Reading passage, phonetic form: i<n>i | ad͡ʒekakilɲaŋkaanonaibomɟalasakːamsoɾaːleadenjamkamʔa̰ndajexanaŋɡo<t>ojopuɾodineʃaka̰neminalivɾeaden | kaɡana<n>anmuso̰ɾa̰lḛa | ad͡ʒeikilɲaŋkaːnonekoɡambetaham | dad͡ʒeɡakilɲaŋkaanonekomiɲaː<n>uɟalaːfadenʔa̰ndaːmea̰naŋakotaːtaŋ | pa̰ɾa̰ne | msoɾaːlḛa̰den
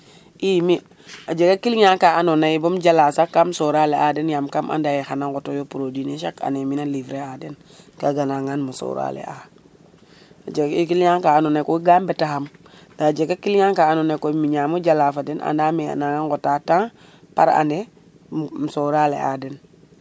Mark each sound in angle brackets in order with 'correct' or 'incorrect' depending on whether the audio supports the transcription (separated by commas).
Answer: incorrect, correct, incorrect, incorrect